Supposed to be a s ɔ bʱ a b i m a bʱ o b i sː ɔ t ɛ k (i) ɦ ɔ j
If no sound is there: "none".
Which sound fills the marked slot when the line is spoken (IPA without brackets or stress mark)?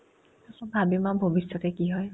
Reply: i